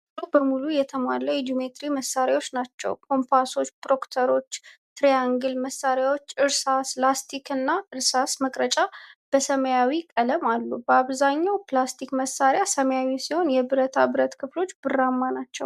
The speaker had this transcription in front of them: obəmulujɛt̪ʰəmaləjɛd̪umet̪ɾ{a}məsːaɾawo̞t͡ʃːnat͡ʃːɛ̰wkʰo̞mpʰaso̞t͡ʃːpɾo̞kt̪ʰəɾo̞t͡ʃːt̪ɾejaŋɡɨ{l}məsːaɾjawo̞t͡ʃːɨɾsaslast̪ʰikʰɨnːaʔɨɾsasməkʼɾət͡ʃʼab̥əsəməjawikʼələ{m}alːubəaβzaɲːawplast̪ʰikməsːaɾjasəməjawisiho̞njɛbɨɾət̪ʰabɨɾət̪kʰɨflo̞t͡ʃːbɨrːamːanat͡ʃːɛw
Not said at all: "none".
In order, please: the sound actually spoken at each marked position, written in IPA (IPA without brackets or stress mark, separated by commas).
i, l, m